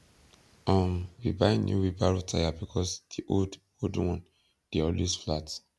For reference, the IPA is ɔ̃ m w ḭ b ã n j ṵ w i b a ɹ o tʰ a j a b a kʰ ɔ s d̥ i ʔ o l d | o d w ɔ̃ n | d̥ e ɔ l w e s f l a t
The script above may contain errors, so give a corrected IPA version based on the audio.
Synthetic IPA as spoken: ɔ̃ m w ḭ b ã n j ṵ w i b a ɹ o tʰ a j a b i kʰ ɔ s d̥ i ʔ o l d | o d w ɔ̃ n | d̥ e ɔ l w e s f l a t